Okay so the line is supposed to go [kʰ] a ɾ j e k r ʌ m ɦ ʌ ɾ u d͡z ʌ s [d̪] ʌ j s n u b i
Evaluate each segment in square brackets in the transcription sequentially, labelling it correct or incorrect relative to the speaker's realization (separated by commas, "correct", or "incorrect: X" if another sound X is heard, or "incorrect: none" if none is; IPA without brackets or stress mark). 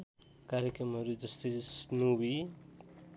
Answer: incorrect: k, incorrect: t̪